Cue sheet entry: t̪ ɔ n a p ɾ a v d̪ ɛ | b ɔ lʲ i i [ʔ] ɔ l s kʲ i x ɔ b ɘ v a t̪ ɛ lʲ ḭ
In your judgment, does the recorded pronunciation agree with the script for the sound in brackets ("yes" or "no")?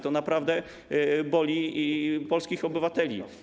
no